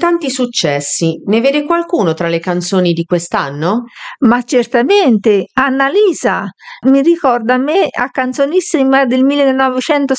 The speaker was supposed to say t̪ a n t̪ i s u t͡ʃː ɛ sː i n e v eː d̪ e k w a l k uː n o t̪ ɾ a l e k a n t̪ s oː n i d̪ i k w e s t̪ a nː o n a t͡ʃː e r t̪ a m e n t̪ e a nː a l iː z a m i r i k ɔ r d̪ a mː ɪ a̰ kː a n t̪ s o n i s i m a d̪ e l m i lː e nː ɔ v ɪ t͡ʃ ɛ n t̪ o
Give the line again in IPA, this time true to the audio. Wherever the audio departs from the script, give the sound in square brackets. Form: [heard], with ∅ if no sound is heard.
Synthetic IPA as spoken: t̪ a n t̪ i s u t͡ʃː ɛ sː i n e v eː d̪ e k w a l k uː n o t̪ ɾ a l e k a n t̪ s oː n i d̪ i k w e s t̪ a nː o [m] a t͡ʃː e r t̪ a m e n t̪ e a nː a l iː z a m i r i k ɔ r d̪ a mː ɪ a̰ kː a n t̪ s o n i s i m a d̪ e l m i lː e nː ɔ v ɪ t͡ʃ ɛ n t̪ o